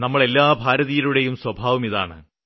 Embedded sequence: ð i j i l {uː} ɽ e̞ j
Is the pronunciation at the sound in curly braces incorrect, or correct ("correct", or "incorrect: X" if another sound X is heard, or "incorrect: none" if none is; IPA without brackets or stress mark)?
incorrect: u